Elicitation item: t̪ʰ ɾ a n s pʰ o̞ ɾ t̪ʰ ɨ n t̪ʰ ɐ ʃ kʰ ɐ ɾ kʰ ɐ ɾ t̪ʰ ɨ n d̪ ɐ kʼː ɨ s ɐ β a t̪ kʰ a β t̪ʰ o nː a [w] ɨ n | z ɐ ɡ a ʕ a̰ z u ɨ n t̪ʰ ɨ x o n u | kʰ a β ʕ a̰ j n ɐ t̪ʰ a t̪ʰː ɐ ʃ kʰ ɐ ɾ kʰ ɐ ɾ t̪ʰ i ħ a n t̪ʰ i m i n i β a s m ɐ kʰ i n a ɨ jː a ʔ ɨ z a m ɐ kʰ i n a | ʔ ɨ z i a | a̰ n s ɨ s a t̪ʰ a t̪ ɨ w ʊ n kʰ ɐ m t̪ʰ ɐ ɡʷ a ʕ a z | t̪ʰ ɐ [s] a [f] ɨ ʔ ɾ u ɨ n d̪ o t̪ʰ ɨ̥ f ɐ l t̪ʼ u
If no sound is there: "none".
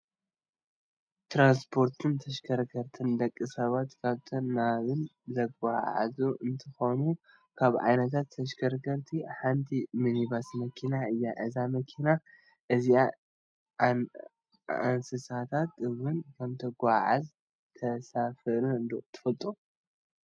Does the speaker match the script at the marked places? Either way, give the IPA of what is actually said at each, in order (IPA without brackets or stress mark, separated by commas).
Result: β, s, f